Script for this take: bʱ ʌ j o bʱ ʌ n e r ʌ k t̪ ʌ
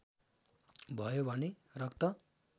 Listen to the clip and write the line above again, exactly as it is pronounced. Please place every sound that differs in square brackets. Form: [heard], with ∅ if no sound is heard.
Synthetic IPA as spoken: bʱ ʌ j o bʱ ʌ n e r ʌ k t̪ ʌ